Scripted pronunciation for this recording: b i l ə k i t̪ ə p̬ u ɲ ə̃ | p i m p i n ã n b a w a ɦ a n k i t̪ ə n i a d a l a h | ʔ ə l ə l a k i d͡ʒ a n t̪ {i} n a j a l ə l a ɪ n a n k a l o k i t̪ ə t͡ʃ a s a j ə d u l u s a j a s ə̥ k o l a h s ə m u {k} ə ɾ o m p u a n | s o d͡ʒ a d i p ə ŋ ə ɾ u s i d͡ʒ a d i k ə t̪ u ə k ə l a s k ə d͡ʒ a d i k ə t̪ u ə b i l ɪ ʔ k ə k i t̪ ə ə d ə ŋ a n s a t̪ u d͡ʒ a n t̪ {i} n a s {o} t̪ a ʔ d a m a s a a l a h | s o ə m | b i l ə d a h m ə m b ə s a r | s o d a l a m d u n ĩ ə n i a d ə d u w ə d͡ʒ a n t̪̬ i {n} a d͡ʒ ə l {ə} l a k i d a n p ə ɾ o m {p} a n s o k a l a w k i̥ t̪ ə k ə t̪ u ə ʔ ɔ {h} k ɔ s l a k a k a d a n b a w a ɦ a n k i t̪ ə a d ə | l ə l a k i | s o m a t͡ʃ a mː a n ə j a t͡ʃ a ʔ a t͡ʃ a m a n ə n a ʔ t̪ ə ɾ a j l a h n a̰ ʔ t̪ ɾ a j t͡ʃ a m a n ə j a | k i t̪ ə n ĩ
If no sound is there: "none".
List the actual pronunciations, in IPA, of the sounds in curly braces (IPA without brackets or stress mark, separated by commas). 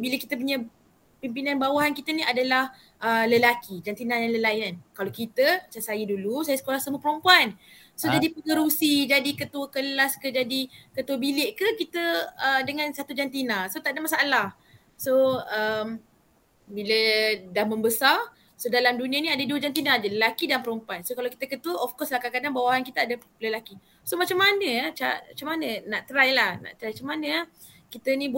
i, p, i, o, n, ə, p, f